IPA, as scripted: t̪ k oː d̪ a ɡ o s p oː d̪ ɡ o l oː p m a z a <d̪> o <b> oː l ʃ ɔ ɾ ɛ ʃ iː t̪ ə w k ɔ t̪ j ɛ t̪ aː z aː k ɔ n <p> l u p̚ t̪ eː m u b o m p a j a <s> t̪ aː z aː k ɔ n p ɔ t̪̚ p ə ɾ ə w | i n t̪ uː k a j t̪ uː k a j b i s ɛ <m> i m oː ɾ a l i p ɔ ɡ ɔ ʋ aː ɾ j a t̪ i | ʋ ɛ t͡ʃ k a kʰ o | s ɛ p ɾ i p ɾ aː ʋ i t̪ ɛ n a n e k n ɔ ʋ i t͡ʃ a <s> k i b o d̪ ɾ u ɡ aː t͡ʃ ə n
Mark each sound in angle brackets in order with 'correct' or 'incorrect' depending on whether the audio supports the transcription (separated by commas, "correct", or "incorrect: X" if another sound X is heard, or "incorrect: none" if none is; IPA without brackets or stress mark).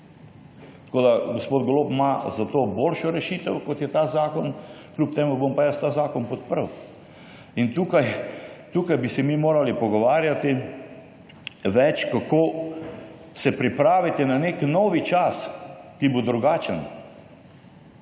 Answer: incorrect: t̪, correct, incorrect: k, correct, correct, correct